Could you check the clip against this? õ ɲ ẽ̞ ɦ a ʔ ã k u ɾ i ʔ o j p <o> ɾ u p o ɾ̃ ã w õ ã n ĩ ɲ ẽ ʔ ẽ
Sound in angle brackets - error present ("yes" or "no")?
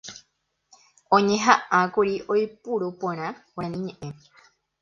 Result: yes